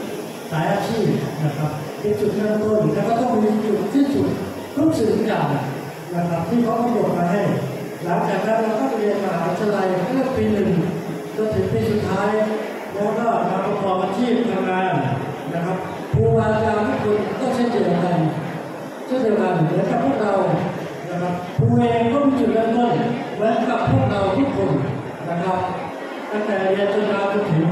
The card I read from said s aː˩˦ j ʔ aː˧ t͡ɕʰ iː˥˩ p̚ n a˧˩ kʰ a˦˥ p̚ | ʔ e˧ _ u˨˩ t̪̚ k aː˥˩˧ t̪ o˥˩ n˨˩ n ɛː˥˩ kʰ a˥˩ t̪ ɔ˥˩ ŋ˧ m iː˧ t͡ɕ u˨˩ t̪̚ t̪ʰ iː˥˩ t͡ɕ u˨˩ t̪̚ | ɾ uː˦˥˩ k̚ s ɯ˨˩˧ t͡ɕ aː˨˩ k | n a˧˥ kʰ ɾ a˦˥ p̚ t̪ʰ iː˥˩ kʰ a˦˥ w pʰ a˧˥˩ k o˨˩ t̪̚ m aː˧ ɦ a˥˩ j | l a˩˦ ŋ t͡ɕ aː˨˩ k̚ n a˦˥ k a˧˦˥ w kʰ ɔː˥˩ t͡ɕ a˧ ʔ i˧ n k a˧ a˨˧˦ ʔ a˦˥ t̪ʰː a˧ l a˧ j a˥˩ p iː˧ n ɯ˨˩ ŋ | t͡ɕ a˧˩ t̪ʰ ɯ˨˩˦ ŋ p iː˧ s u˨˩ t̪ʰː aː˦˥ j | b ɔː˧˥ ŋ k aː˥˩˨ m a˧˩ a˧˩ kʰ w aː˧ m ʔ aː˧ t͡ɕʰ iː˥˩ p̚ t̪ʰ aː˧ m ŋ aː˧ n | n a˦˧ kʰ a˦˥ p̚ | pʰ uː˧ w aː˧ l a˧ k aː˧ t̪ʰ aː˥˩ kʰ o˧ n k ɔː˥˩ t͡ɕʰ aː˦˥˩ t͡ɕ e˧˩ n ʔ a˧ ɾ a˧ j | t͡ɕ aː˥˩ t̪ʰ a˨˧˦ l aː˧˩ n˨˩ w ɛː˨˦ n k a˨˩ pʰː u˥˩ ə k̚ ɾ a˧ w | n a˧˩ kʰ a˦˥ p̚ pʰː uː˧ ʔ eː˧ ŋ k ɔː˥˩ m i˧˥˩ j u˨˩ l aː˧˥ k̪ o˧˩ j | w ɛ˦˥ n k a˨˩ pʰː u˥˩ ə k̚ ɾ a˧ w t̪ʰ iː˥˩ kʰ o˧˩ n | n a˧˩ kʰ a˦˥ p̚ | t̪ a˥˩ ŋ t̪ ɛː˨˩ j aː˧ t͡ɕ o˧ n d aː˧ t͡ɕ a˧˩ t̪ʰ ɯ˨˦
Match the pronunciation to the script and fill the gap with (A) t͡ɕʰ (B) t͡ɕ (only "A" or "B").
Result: B